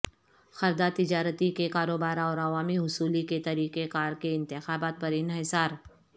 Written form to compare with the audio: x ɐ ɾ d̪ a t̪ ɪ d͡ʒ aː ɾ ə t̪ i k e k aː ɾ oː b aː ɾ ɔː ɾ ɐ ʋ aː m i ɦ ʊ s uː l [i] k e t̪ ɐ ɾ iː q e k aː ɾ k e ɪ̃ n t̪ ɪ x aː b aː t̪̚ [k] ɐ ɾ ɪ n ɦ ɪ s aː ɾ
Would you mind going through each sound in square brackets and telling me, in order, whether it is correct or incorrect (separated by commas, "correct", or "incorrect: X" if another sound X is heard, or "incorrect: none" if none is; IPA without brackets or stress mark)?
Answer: correct, incorrect: p